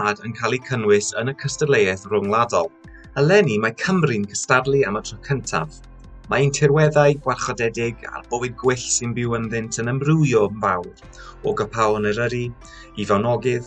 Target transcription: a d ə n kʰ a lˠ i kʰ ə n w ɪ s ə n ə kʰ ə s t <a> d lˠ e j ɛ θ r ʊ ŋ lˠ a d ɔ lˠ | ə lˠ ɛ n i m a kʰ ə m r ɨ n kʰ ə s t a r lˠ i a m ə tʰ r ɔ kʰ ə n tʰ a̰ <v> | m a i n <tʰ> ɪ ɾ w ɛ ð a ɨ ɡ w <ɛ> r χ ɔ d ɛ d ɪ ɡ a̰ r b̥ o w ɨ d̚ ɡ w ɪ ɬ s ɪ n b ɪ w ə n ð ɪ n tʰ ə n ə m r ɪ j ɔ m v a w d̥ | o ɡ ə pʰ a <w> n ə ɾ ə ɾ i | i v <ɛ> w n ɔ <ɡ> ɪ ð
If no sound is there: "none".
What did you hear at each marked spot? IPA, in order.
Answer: ə, v, tʰ, a, w, a, ɡ

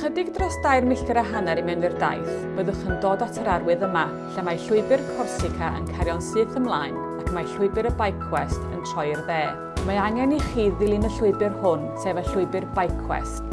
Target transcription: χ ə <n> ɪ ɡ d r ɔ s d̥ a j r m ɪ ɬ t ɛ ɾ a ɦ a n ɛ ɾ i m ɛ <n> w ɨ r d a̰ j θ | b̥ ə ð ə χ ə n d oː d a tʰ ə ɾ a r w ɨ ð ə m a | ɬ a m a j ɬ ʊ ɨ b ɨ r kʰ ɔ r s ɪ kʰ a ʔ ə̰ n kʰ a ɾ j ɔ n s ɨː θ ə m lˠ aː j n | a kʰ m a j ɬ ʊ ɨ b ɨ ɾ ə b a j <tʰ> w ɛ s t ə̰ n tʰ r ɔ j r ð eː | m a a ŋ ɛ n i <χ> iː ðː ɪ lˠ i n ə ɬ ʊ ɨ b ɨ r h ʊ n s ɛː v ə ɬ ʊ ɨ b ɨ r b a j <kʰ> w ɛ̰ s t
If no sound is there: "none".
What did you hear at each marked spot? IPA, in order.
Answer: d, n, kʰ, χ, kʰ

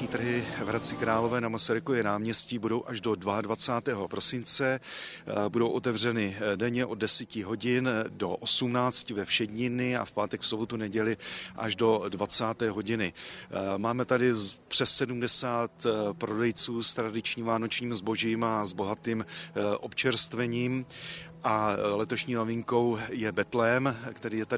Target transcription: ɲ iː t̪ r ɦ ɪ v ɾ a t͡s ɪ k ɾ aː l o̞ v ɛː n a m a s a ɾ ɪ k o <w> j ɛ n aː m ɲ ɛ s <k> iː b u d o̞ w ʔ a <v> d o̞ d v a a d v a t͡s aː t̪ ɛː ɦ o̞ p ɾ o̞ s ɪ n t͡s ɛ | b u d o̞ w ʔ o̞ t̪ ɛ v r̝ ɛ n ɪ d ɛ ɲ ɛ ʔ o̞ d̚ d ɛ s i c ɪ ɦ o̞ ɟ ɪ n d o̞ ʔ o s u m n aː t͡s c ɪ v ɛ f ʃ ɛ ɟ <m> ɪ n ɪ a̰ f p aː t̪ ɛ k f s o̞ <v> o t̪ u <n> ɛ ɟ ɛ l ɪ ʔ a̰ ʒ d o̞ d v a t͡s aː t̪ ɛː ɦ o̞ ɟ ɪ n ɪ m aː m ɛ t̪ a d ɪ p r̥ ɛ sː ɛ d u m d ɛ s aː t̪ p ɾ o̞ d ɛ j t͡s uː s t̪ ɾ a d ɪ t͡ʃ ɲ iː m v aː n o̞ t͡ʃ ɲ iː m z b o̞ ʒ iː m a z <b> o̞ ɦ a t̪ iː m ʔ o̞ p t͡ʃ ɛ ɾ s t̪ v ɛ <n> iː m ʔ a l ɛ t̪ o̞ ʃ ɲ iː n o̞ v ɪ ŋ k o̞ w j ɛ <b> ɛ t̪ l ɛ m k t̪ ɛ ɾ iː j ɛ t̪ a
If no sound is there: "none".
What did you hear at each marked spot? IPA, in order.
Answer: v, c, ʒ, ɲ, b, n, b, ɲ, b

